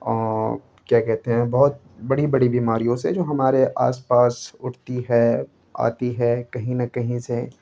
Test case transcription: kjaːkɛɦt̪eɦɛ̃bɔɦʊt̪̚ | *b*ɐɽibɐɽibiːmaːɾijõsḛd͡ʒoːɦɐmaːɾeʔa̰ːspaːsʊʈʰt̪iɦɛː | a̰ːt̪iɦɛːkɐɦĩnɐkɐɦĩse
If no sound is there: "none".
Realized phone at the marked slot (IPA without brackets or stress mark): b